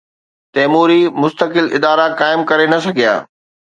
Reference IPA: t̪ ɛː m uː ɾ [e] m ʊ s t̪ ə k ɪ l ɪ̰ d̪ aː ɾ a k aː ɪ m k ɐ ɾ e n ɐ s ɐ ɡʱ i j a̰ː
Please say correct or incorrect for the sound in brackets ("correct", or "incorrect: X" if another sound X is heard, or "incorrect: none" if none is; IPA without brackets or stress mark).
incorrect: i